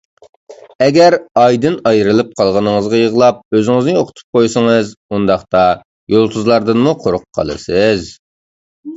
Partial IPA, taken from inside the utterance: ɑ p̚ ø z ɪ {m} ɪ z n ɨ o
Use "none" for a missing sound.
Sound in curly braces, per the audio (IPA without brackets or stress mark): ŋ